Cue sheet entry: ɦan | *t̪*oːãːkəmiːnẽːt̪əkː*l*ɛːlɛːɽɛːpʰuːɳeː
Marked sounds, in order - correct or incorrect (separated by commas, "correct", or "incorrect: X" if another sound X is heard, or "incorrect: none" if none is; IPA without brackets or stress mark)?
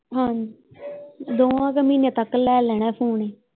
incorrect: d̪, correct